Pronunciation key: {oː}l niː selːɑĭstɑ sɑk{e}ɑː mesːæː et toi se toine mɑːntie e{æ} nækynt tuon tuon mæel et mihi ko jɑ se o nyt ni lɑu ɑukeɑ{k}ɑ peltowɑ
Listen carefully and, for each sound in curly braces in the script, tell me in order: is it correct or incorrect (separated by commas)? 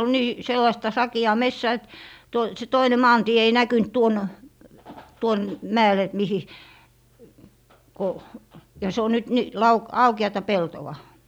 incorrect, incorrect, incorrect, incorrect